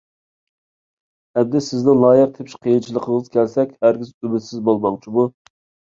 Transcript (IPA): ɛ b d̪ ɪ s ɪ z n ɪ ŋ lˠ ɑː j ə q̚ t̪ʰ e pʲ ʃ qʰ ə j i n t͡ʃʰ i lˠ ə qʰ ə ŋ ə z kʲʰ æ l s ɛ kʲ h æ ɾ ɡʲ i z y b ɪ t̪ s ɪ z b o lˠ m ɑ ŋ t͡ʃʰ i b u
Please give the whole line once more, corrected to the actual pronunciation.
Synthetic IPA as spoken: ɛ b d̪ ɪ s ɪ z n ɪ ŋ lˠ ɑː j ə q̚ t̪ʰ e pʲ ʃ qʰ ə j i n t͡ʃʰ i lˠ ə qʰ ə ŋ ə z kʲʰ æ l s ɛ kʲ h æ ɾ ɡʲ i z y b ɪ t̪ s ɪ z b o lˠ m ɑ ŋ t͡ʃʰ i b u